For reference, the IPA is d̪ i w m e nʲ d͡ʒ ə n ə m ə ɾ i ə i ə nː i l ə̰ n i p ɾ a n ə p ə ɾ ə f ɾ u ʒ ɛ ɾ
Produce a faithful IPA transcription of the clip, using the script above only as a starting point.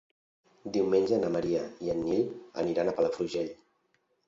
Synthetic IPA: d̪ i w m e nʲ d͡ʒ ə n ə m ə ɾ i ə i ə nː i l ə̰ n i ɾ a n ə p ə l ə f ɾ u ʒ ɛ ʎ